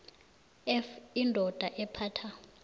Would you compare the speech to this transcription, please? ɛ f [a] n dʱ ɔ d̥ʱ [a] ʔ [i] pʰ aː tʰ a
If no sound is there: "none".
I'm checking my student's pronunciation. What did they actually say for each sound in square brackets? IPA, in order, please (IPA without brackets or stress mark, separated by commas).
i, a, ɛ